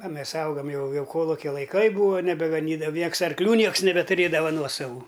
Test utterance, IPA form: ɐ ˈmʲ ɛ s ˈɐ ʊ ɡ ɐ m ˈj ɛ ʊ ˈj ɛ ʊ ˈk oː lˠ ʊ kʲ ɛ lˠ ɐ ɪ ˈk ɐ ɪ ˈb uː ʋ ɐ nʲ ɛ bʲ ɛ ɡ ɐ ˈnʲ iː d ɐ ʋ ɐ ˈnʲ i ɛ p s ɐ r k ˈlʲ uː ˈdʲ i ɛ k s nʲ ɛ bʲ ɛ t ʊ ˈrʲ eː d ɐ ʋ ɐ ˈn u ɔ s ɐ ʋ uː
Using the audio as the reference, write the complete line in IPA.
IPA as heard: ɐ ˈmʲ ɛ s ˈɐ ʊ ɡ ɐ m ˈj ɛ ʊ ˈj ɛ ʊ ˈk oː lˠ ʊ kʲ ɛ lˠ ɐ ɪ ˈk ɐ ɪ ˈb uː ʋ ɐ nʲ ɛ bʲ ɛ ɡ ɐ ˈnʲ iː d ɐ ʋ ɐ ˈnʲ i ɛ k s ɐ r k ˈlʲ uː ˈnʲ i ɛ k s nʲ ɛ bʲ ɛ t ʊ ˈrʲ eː d ɐ ʋ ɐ ˈn u ɔ s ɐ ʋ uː